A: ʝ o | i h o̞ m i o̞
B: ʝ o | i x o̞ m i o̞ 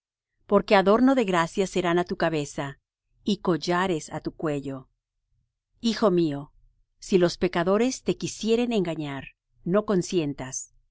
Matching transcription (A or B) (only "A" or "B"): B